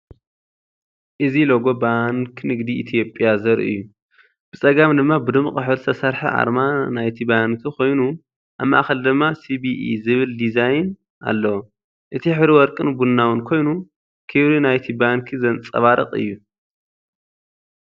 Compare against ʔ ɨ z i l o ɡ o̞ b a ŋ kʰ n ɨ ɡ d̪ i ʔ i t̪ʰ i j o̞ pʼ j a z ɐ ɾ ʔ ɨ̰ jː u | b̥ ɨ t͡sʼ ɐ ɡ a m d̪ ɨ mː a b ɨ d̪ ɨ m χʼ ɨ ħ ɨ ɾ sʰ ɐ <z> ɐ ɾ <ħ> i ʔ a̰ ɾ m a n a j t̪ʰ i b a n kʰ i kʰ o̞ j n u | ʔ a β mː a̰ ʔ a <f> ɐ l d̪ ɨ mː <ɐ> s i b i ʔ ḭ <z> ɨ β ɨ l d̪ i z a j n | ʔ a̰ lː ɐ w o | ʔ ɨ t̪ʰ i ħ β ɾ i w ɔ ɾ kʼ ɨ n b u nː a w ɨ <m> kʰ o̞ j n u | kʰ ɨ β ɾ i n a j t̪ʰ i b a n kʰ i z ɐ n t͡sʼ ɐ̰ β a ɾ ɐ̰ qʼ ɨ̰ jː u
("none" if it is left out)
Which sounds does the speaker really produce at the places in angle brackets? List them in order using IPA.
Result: s, ħ, x, a, z, n

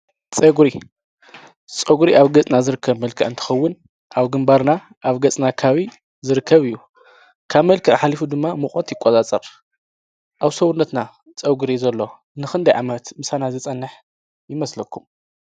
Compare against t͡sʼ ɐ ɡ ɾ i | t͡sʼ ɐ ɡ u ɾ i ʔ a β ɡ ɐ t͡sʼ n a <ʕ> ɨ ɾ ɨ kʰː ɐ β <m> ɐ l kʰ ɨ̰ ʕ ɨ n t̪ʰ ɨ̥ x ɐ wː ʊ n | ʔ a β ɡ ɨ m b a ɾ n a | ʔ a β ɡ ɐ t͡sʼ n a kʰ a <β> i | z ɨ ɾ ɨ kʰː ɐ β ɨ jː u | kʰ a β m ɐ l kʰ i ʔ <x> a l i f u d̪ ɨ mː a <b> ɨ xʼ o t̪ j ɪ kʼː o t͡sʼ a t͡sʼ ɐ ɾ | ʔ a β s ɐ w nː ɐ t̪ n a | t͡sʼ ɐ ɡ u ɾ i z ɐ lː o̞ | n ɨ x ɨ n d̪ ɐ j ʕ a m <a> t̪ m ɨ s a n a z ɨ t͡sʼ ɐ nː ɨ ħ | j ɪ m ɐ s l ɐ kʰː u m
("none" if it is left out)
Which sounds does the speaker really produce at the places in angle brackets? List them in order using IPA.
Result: z, m, β, ħ, m, ɐ

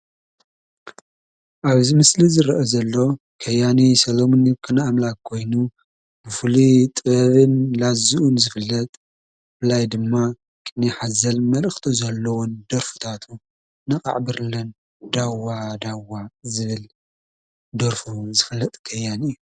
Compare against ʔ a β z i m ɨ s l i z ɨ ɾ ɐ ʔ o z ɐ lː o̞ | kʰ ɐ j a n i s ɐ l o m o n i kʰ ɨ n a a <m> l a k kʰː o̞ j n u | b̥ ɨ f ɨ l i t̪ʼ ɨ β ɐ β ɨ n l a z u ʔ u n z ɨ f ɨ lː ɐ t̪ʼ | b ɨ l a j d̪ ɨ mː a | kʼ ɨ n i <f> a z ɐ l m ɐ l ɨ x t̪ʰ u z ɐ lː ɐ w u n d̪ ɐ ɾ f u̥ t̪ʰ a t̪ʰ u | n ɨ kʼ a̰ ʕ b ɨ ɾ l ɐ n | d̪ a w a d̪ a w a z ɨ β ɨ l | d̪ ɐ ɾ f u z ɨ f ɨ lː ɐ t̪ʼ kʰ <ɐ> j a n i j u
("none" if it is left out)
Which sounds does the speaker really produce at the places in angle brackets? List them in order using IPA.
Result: m, ħ, ɐ

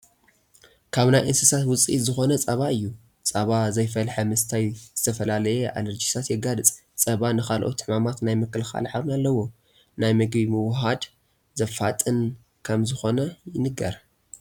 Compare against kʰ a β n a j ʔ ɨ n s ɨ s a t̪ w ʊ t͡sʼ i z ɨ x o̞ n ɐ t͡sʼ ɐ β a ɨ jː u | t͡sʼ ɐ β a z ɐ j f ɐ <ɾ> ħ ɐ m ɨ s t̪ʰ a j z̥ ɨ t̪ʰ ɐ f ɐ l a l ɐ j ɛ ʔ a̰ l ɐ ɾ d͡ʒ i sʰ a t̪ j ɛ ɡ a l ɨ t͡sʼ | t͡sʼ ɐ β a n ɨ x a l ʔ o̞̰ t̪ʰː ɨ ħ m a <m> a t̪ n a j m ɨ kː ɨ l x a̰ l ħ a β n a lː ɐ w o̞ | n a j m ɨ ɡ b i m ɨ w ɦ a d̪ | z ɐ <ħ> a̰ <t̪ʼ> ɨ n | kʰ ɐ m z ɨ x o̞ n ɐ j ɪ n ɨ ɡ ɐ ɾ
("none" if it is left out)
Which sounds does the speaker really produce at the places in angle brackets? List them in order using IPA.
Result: l, m, f, t̪ʼ

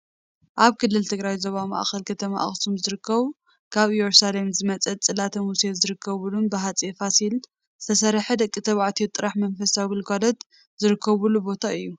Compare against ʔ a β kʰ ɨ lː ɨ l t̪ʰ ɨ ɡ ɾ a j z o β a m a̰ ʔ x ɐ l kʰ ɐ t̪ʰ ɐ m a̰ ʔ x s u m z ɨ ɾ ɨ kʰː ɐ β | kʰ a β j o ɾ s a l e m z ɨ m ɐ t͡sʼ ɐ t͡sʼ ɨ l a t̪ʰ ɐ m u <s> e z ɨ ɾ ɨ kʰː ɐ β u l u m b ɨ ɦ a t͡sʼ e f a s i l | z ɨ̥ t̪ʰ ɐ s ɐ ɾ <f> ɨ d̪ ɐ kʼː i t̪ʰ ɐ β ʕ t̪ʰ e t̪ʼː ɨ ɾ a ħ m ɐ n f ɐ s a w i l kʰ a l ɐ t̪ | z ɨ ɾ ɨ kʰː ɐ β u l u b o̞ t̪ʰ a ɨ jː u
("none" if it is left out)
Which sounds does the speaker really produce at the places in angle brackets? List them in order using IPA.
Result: s, ħ

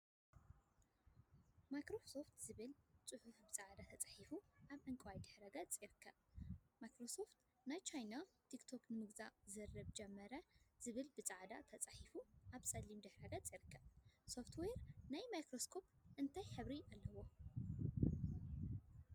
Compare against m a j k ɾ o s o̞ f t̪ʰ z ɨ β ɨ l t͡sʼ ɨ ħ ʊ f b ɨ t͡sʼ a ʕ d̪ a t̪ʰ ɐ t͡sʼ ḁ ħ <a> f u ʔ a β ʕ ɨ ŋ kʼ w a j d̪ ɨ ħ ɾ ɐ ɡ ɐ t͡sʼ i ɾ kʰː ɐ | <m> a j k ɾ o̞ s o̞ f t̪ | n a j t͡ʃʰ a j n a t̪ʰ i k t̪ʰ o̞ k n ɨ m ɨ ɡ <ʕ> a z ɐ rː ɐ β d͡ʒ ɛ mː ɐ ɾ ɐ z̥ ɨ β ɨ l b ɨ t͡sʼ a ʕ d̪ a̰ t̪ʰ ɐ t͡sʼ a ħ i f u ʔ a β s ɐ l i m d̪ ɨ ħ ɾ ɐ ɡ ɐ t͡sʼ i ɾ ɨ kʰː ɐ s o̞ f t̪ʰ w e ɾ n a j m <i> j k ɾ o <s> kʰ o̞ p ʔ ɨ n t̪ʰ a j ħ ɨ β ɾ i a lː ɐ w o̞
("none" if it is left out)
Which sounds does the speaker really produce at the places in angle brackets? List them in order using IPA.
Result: i, m, z, a, s

